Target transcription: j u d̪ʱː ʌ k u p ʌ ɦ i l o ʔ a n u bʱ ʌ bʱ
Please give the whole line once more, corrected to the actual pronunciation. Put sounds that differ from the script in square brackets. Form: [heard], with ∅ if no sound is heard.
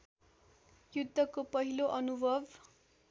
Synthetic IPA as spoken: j u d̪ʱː ʌ k [o] p ʌ ɦ i l o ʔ [ʌ] n u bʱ ʌ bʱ